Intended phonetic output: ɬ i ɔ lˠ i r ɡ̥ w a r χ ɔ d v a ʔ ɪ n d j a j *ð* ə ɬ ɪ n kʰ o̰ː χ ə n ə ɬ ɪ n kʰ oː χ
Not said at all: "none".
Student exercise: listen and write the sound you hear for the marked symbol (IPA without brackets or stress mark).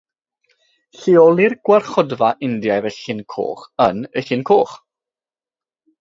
v